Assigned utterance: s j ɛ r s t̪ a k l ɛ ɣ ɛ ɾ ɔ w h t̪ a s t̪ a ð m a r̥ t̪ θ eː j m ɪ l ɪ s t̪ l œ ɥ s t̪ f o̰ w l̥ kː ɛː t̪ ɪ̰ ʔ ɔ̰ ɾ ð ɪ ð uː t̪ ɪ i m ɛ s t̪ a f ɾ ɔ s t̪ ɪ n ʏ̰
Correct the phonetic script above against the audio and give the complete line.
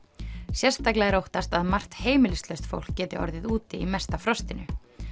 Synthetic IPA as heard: s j ɛ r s t̪ a k l ɛ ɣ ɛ ɾ o w h t̪ a s t̪ a ð m a r̥ t̪ h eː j m ɪ l ɪ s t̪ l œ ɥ s t̪ f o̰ w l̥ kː ɛː t̪ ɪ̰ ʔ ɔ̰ ɾ ð ɪ ð uː t̪ ɪ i m ɛ s t̪ a f ɾ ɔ s t̪ ɪ n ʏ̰